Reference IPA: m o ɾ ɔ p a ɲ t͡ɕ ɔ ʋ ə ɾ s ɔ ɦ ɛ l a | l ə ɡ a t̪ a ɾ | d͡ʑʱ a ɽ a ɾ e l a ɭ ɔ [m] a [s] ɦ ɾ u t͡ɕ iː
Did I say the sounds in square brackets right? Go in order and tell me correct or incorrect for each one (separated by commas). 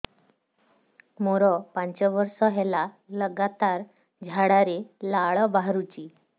incorrect, incorrect